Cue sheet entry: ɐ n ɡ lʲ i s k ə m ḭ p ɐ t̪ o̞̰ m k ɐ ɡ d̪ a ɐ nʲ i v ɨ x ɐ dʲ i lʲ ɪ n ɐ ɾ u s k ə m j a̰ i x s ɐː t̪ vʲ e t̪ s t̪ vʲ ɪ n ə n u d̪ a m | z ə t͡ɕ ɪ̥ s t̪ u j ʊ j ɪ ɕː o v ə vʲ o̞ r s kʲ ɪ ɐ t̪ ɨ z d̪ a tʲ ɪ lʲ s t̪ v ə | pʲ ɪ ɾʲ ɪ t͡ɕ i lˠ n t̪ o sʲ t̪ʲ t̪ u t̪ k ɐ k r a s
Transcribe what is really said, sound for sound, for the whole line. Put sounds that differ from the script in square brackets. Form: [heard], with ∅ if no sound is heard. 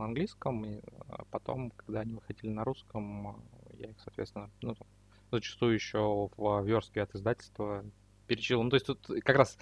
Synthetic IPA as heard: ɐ n ɡ lʲ i s k ə m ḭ p ɐ t̪ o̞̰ m k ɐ ɡ d̪ a ɐ nʲ i v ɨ x ɐ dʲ i lʲ ɪ n ɐ ɾ u s k ə m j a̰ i x s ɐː t̪ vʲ e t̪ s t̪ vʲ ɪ n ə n u [t̪] a m | z ə t͡ɕ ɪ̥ s t̪ u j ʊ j ɪ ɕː o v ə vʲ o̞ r s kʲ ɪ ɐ t̪ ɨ z d̪ a tʲ ɪ lʲ s t̪ v ə | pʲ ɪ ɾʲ ɪ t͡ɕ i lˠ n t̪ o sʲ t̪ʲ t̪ u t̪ k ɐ k [ɾ] a s